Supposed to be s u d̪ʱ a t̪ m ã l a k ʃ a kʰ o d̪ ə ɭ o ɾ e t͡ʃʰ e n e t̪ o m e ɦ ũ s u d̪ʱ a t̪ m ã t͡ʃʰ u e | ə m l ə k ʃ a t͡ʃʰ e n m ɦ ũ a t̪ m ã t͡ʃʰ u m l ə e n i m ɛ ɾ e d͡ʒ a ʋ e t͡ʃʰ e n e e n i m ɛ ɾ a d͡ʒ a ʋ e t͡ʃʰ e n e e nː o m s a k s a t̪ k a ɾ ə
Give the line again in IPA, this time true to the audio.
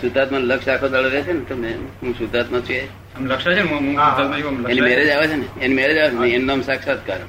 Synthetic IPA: s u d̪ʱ a t̪ m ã l ə k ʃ a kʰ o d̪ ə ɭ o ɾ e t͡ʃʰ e n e t̪ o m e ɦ ũ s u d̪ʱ a t̪ m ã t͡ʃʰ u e | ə m l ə k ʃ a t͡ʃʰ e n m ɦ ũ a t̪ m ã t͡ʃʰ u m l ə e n i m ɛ ɾ e d͡ʒ a ʋ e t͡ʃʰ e n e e n i m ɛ ɾ e d͡ʒ a ʋ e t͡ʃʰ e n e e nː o m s a k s a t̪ k a ɾ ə